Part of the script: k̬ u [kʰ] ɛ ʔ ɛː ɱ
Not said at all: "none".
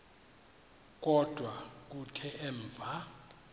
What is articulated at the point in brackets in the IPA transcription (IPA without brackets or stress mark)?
tʰ